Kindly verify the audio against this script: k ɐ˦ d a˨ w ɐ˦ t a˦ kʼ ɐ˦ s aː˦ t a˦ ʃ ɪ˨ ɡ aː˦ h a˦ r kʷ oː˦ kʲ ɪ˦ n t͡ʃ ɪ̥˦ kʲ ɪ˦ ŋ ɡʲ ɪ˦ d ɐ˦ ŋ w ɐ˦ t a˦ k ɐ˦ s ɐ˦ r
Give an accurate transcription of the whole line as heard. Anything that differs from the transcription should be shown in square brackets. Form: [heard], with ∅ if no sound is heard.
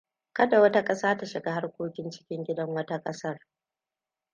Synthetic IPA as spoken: k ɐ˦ d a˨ w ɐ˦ t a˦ kʼ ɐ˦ s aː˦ t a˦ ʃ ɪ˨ ɡ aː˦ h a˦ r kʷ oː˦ kʲ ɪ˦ n t͡ʃ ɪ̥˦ kʲ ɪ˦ ŋ ɡʲ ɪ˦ d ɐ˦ ŋ w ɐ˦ t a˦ [kʼ] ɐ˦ s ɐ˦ r